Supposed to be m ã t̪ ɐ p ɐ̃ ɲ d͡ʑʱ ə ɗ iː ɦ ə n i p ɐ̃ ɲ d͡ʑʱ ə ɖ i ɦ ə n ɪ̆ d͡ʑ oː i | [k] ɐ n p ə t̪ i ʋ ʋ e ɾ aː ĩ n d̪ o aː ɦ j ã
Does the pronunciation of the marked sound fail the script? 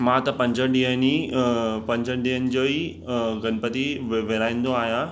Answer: yes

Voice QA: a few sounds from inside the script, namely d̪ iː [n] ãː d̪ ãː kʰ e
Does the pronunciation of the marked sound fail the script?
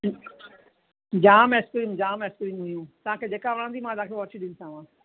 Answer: yes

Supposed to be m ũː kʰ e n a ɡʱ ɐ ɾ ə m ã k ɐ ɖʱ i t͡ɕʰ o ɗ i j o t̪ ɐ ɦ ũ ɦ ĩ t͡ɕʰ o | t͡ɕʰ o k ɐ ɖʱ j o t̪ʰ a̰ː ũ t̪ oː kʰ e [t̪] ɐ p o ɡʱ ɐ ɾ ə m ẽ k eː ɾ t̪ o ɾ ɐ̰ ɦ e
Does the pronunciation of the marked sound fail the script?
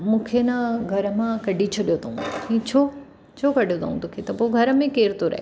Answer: no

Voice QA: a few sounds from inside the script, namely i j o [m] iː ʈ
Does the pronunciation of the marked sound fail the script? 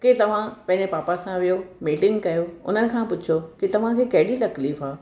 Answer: no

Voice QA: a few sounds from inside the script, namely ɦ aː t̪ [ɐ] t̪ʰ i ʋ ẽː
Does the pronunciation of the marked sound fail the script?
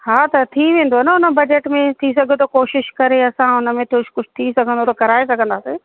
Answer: no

